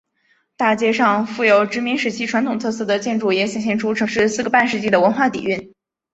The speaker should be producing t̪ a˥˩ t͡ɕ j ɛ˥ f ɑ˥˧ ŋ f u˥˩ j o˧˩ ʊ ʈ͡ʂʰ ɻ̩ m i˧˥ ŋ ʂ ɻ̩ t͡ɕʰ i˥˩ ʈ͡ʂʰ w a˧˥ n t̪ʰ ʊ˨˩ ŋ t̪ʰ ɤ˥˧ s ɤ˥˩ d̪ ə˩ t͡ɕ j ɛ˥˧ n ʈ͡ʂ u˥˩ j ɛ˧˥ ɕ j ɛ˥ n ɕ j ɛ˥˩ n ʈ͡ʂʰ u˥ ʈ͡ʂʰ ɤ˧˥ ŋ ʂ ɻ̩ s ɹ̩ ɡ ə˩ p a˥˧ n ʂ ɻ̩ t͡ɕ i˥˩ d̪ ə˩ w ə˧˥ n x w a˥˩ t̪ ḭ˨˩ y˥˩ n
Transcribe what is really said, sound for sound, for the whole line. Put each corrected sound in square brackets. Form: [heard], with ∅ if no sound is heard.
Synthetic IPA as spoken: t̪ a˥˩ t͡ɕ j ɛ˥ [ʂ] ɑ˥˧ ŋ f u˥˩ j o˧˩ ʊ [ʈ͡ʂ] ɻ̩ m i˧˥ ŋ ʂ ɻ̩ t͡ɕʰ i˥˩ ʈ͡ʂʰ w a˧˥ n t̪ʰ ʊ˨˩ ŋ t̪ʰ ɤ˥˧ s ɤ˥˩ d̪ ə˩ t͡ɕ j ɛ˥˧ n ʈ͡ʂ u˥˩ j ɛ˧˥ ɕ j [ɛ˨˩] n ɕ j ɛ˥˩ n ʈ͡ʂʰ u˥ ʈ͡ʂʰ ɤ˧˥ ŋ ʂ ɻ̩ s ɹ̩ ɡ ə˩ p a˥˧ n ʂ ɻ̩ t͡ɕ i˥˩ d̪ ə˩ w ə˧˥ n x w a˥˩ t̪ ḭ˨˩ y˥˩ n